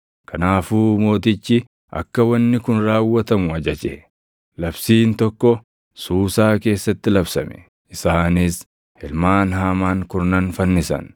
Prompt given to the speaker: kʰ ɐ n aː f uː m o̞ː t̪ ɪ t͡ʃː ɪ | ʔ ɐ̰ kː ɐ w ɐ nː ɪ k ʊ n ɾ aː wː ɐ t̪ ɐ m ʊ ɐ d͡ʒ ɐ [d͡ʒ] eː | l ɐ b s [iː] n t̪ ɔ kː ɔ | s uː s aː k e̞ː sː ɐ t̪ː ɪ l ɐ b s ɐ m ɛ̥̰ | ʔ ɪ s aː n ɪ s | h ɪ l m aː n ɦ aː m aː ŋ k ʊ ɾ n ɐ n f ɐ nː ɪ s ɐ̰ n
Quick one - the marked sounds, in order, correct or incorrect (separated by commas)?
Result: correct, correct